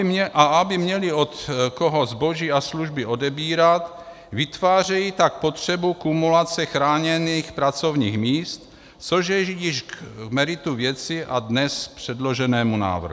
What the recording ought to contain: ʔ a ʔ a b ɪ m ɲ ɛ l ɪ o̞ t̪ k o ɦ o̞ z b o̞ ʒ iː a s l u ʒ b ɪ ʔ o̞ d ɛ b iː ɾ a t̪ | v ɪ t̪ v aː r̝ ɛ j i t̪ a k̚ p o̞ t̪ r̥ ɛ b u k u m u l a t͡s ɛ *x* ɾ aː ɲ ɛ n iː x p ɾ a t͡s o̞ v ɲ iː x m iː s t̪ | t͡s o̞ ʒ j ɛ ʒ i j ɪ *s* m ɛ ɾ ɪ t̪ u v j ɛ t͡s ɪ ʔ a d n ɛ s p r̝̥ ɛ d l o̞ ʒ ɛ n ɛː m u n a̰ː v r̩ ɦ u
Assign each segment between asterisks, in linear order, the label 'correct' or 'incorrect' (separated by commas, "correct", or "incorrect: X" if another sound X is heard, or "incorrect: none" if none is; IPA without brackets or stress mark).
correct, incorrect: ʃ